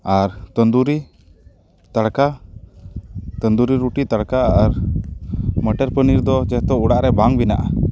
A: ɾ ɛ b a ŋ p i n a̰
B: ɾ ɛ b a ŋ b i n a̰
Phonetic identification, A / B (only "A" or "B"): B